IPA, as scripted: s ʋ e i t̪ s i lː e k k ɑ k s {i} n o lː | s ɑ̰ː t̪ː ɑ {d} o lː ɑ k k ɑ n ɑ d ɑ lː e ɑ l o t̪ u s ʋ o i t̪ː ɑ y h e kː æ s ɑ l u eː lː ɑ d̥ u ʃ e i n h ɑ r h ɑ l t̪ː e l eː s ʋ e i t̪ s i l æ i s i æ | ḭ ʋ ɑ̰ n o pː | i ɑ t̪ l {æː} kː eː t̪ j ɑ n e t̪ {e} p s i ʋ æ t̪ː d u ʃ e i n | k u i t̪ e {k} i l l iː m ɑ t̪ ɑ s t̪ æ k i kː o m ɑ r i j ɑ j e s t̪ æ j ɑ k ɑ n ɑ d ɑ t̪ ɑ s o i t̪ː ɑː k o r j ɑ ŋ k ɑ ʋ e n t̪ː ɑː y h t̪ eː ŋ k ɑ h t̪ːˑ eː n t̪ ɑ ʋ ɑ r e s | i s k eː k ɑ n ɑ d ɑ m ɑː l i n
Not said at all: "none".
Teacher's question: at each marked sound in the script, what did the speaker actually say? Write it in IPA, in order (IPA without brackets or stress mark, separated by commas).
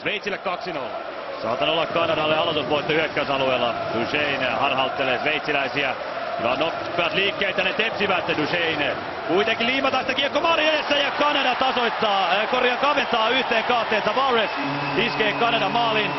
i, n, iː, e, k